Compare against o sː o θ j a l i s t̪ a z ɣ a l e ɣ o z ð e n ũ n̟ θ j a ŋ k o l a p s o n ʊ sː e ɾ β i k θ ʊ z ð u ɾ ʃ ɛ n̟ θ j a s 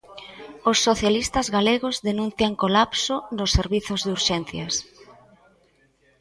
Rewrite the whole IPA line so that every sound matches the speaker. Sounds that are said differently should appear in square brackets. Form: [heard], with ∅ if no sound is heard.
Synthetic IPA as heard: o sː o θ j a l i s t̪ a z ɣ a l e ɣ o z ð e n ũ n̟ θ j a ŋ k o l a p s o n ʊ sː e ɾ β i [∅] θ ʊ z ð u ɾ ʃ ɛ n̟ θ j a s